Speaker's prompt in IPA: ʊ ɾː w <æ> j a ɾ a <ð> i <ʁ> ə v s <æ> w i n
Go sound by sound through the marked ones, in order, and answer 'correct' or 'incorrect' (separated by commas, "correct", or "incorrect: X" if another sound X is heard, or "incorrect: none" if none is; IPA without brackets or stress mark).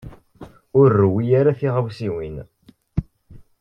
incorrect: i, incorrect: θ, correct, incorrect: i